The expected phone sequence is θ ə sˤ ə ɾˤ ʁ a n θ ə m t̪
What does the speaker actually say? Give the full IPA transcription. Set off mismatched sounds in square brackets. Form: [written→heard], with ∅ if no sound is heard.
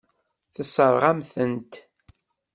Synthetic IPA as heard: θ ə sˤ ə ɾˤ ʁ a [n→m] θ ə [m→n] t̪

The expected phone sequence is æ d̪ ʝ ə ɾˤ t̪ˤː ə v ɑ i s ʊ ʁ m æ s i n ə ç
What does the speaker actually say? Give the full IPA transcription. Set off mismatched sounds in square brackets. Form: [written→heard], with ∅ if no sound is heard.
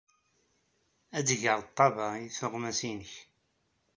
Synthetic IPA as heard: æ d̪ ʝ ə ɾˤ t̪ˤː [ə→ɑ] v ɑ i [s→θ] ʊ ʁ m æ s i n ə ç

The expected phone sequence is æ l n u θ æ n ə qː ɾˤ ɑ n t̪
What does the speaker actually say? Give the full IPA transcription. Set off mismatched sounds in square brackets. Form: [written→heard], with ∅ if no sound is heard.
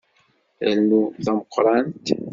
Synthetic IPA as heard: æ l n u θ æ [n→m] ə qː ɾˤ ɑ n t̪

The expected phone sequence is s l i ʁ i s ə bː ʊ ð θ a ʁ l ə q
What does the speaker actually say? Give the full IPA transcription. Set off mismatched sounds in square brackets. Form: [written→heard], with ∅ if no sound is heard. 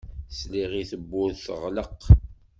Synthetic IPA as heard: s l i ʁ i [s→θ] ə bː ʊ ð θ [a→ə] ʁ l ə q

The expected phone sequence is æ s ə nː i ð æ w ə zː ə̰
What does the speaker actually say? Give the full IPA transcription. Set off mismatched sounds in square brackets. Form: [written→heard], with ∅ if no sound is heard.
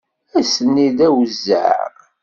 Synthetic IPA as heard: æ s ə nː i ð æ w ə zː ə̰

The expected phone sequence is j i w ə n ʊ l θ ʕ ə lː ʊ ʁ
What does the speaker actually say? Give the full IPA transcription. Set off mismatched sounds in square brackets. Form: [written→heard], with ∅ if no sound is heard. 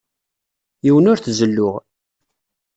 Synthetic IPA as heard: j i w ə n ʊ [l→ɾ] θ [ʕ→z] ə lː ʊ ʁ

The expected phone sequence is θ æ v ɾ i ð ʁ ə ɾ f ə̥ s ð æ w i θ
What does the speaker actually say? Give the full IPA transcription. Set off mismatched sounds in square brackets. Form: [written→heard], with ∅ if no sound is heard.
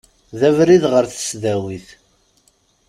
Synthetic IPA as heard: [θ→ð] æ v ɾ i ð ʁ ə ɾ [f→θ] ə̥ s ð æ w i θ

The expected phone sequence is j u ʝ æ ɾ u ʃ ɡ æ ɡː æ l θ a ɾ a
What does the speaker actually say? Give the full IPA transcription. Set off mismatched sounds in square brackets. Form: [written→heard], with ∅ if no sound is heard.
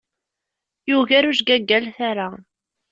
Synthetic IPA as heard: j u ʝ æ ɾ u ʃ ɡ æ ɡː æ l θ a ɾ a

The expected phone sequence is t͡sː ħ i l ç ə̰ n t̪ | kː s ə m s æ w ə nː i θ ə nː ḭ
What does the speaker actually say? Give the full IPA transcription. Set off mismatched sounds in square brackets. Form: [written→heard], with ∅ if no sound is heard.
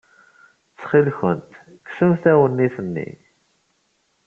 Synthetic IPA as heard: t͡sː [ħ→χ] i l ç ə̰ n t̪ | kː s ə m [s→θ] æ w ə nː i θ ə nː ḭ

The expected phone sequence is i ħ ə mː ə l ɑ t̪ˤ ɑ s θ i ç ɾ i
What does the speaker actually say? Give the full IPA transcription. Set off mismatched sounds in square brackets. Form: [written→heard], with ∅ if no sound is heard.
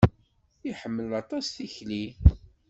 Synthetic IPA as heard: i ħ ə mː ə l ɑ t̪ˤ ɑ s θ i ç [ɾ→l] i

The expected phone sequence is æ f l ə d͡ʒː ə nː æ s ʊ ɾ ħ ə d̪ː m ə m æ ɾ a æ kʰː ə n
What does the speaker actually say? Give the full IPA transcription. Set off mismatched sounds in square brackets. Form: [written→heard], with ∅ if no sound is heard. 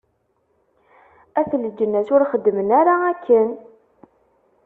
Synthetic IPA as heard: æ [f→θ] l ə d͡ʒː ə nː æ s ʊ ɾ [ħ→χ] ə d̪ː m ə [m→n] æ ɾ a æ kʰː ə n

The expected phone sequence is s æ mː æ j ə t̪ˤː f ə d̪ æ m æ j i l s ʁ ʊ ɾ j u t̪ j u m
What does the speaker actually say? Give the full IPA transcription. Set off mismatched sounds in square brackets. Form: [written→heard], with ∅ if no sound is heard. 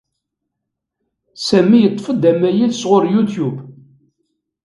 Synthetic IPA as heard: s æ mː [æ→i] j ə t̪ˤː f ə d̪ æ m æ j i l s ʁ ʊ ɾ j u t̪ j u [m→b]

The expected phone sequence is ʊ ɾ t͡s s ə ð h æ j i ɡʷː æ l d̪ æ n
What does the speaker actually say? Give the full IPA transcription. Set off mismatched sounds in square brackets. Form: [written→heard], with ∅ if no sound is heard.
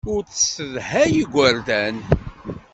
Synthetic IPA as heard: ʊ ɾ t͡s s ə ð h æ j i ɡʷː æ [l→ɾ] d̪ æ n

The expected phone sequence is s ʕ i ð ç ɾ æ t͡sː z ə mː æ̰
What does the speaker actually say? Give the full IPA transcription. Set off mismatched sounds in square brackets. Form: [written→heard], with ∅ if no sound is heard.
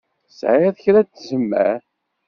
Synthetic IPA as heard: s ʕ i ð ç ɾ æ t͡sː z ə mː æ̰

